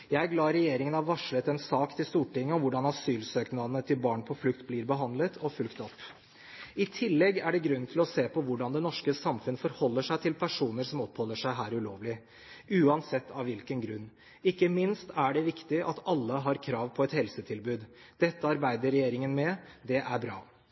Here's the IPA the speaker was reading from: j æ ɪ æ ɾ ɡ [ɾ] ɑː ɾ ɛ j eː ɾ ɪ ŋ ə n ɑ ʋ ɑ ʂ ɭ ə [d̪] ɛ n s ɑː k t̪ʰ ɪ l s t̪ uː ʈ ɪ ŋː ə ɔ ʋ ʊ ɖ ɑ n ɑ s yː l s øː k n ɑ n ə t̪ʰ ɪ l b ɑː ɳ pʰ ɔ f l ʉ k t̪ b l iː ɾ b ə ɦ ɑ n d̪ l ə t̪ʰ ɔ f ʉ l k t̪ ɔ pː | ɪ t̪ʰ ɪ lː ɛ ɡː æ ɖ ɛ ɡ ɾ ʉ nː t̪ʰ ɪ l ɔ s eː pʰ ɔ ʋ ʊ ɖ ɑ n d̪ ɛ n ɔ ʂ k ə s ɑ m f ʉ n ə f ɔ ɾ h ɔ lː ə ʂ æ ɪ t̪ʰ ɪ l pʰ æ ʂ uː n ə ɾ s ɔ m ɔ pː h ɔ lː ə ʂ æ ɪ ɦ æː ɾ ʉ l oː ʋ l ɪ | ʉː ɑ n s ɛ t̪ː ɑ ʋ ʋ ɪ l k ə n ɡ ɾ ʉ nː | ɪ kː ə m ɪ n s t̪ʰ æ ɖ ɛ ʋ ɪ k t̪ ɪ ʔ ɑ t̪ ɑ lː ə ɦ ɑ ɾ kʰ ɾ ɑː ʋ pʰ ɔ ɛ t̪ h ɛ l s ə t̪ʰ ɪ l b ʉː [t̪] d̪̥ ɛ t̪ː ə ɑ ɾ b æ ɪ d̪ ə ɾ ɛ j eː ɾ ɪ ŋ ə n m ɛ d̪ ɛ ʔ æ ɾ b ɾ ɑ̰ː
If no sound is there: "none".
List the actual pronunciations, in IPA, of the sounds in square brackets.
l, t̪, d̪

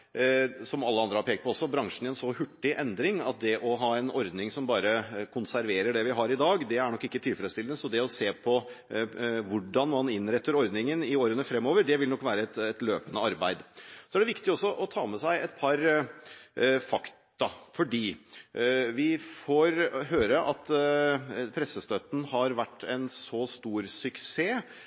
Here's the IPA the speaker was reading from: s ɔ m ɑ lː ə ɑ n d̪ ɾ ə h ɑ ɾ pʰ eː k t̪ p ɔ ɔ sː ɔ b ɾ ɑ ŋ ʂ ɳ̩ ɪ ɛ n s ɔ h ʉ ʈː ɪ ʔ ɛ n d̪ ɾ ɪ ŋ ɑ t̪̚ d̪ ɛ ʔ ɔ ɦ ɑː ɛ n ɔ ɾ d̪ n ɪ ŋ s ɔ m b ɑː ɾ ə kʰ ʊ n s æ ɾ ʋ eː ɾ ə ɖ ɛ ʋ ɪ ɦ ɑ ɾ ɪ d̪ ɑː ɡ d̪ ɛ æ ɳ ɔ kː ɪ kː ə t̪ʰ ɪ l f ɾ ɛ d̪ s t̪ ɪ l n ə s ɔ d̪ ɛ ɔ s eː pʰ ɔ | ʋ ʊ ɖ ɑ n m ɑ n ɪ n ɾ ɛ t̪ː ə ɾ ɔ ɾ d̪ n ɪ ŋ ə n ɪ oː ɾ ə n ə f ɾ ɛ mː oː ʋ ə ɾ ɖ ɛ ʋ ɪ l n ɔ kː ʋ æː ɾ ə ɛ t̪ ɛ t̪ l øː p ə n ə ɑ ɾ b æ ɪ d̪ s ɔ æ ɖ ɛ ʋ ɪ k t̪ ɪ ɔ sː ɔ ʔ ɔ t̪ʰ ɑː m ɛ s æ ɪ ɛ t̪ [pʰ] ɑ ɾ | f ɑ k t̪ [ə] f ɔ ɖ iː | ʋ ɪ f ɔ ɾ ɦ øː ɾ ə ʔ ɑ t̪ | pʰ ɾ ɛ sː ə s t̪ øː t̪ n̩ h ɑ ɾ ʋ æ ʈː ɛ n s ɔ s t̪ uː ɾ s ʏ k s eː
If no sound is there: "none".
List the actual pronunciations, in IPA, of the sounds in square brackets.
pʰ, ɑ

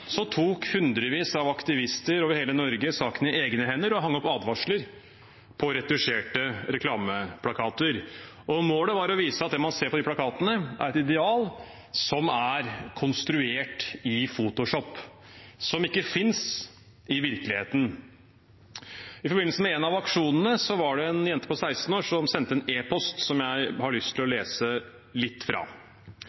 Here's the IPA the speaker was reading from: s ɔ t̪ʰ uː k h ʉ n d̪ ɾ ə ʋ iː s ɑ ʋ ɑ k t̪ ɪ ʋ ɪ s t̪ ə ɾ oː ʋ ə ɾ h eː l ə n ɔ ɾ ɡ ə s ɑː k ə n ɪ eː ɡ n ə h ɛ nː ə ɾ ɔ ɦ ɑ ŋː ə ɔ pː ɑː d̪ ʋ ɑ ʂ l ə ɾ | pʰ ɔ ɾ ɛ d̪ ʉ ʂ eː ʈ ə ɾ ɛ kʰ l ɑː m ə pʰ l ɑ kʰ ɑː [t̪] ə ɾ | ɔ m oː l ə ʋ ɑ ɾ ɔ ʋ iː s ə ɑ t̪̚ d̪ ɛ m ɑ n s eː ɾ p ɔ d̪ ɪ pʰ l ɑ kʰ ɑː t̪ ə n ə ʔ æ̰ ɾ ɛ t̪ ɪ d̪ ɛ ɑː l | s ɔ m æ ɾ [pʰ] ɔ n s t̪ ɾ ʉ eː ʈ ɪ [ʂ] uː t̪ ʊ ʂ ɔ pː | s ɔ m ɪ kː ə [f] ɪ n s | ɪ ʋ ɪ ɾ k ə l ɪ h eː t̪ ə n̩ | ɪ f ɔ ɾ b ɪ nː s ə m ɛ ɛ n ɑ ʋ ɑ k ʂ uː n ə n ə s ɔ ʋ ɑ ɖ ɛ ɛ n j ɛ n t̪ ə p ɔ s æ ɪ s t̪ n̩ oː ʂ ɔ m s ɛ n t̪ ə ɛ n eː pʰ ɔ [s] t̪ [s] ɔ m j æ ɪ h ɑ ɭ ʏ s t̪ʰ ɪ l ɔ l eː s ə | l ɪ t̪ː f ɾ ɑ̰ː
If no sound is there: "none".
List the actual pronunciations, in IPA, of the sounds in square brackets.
t̪, kʰ, f, f, s, s

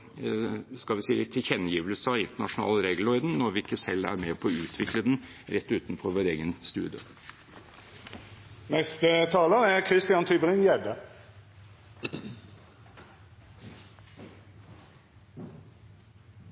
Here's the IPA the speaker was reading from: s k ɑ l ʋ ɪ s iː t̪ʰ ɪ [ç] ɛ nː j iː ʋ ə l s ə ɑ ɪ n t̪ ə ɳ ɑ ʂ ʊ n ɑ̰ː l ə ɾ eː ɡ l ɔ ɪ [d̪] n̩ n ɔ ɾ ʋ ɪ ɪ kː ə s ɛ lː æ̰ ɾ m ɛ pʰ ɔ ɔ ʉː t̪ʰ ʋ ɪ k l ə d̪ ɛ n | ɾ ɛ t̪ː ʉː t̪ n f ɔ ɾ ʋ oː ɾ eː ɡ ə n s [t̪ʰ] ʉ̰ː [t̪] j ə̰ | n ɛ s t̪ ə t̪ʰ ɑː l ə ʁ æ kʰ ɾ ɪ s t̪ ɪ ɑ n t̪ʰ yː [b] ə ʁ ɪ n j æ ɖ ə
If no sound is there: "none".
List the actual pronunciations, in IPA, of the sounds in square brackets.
ç, d̪, t̪, d̪, b

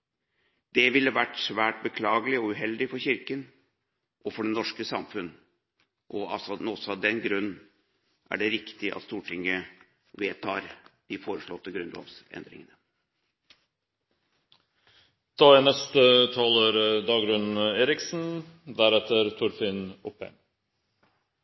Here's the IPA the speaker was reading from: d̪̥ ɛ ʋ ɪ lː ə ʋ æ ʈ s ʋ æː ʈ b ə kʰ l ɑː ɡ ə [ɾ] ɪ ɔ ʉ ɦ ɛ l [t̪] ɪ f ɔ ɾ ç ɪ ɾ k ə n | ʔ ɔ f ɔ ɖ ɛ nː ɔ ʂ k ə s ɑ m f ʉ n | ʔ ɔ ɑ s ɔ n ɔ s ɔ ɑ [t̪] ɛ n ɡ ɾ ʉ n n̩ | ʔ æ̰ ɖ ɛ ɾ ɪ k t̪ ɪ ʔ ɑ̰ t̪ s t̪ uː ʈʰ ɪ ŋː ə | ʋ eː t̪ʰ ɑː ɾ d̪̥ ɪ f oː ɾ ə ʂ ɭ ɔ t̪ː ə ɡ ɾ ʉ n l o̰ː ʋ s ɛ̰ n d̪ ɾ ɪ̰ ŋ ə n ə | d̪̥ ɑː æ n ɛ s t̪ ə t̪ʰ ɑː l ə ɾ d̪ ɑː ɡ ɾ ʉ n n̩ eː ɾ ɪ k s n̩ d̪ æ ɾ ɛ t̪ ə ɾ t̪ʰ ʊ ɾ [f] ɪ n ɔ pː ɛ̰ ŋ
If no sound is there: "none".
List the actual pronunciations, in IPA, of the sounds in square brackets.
l, d̪, d̪, f

